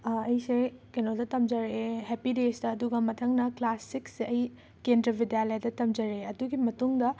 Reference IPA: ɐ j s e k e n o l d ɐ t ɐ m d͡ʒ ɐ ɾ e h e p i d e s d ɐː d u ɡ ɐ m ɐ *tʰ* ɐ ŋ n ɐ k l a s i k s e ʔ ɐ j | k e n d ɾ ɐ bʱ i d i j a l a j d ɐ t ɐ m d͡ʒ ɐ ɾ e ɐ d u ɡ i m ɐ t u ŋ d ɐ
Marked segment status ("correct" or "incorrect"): correct